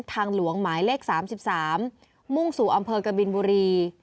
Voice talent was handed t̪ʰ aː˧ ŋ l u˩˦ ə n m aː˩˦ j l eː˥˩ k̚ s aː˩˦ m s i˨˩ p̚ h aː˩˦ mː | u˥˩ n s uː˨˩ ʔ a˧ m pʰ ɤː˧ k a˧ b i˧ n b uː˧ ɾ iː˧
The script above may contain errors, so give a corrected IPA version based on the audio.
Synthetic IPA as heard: t̪ʰ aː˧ ŋ l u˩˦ ə ŋ m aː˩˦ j l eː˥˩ k̚ s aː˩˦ m s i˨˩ p̚ s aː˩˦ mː | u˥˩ ŋ s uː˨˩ ʔ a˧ m pʰ ɤː˧ k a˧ b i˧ n b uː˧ ɾ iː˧